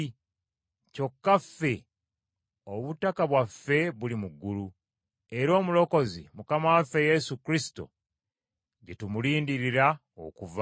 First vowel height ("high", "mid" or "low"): mid